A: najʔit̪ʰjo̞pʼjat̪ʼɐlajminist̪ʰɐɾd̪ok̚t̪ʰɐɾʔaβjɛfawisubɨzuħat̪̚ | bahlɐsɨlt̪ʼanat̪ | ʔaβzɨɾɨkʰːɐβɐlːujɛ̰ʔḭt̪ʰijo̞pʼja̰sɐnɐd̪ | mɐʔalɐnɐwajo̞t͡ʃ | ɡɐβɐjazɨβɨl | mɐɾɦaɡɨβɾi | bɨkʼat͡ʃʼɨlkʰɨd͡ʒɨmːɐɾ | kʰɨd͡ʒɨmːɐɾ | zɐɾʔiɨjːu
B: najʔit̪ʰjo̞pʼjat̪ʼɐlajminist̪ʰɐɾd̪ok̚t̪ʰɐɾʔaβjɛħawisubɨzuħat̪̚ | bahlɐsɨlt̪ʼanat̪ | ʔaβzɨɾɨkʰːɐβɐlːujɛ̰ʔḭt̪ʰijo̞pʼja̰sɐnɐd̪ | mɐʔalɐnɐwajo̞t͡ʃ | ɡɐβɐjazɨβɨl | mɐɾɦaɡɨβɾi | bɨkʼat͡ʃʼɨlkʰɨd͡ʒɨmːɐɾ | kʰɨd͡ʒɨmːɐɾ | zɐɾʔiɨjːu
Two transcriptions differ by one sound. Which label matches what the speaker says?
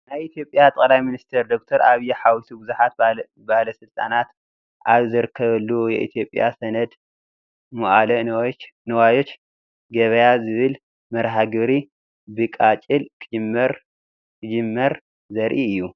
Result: B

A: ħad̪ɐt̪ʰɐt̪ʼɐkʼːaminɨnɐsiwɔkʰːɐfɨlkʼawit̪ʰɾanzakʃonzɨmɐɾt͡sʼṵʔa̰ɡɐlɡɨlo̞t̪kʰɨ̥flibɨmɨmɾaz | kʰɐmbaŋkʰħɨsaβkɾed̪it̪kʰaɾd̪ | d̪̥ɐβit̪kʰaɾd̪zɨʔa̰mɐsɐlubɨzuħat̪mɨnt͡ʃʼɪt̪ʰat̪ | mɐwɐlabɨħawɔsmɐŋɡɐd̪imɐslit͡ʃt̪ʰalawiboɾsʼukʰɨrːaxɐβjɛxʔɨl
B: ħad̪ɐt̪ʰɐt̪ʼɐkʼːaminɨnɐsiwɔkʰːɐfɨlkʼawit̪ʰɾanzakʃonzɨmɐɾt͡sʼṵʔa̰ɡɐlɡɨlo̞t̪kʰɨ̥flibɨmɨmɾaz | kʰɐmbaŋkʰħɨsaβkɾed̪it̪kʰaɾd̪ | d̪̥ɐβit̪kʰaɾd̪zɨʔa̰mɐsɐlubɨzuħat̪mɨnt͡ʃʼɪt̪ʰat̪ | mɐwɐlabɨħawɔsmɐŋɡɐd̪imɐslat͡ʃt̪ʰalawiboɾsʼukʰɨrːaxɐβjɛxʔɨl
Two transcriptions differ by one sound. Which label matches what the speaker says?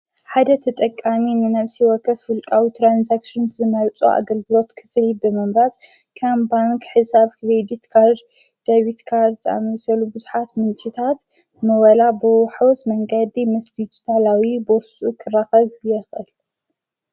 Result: A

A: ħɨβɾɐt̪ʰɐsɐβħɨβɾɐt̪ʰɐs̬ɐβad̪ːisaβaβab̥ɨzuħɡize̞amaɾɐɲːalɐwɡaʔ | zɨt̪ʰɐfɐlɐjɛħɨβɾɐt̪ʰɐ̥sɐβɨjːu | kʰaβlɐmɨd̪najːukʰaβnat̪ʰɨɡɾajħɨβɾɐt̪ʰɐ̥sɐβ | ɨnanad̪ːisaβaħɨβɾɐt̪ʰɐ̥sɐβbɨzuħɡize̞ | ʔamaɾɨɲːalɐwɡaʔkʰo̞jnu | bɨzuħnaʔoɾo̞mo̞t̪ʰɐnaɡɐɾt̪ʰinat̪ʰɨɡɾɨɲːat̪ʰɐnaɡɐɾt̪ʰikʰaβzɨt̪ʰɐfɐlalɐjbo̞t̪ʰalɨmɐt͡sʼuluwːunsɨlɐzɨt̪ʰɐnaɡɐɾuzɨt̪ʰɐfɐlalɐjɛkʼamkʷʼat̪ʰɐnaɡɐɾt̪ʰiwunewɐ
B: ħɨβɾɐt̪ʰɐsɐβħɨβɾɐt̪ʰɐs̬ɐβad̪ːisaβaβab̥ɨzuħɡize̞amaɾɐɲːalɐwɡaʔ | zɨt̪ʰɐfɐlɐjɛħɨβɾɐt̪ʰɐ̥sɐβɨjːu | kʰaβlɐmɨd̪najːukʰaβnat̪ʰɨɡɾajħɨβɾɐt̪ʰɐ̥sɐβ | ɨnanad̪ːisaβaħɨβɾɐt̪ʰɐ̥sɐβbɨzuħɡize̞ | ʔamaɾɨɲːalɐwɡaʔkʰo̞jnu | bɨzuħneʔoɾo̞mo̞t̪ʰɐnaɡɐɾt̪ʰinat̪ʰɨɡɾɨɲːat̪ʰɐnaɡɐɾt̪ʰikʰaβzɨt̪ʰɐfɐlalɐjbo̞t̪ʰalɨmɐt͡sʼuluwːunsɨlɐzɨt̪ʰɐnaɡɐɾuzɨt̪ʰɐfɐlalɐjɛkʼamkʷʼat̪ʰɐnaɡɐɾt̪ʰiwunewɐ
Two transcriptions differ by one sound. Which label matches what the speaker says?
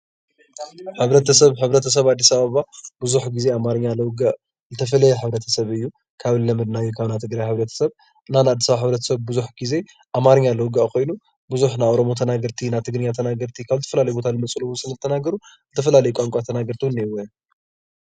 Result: A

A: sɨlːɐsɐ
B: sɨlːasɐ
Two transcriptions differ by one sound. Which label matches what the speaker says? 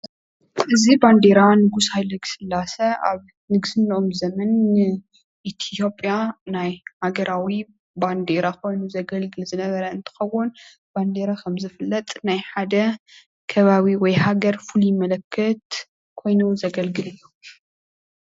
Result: B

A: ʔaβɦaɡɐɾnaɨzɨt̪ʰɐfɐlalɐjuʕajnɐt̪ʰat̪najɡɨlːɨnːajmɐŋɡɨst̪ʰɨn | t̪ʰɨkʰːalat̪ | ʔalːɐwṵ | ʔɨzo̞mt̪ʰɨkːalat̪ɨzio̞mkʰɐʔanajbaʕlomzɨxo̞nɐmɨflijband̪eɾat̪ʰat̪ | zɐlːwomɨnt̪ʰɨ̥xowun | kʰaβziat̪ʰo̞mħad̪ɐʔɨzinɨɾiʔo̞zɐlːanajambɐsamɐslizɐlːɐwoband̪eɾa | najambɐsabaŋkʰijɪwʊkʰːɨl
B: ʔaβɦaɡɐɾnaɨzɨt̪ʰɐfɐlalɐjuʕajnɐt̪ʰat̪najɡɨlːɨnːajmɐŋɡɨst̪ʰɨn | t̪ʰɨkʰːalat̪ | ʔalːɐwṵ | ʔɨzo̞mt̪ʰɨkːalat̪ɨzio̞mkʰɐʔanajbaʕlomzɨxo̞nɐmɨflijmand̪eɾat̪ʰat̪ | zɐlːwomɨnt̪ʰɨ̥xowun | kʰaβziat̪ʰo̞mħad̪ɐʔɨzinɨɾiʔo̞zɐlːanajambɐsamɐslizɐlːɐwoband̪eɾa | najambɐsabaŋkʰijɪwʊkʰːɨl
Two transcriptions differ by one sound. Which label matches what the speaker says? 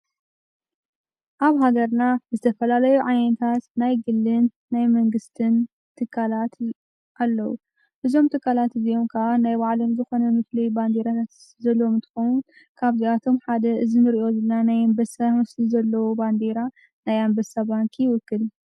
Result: A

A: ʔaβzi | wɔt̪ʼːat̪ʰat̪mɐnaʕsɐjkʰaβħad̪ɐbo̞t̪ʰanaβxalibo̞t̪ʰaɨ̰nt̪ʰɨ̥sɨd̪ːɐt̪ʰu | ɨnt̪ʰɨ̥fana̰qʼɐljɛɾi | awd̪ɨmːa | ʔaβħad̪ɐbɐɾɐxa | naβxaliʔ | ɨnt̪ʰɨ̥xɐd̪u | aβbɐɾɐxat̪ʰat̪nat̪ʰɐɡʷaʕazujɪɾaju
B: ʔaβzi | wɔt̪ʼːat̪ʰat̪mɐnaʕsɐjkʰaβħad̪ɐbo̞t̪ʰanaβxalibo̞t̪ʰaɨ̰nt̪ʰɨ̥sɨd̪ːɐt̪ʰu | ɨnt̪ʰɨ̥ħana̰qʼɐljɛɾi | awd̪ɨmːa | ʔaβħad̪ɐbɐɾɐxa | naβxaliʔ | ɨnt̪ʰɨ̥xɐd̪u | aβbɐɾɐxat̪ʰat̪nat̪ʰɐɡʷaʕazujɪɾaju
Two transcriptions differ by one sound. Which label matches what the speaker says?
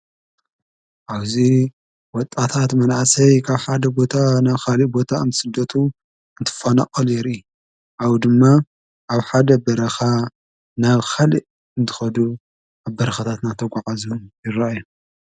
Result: A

